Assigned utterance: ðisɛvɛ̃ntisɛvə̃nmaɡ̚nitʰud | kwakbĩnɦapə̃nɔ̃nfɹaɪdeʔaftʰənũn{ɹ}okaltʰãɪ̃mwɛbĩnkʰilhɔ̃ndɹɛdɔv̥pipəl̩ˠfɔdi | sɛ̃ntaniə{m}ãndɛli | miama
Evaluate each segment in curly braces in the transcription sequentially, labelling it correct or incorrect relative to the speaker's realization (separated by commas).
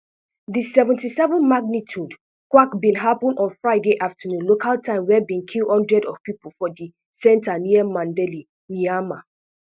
incorrect, correct